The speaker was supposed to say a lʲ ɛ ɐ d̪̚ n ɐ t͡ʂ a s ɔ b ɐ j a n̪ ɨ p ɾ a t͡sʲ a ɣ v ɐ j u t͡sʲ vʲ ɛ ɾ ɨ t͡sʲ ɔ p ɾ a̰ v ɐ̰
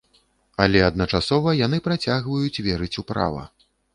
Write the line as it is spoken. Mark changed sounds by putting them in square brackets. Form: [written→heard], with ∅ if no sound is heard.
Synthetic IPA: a lʲ ɛ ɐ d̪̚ n ɐ t͡ʂ a s ɔ [b→v] ɐ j a n̪ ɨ p ɾ a t͡sʲ a ɣ v ɐ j u t͡sʲ vʲ ɛ ɾ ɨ t͡sʲ [ɔ→u] p ɾ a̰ v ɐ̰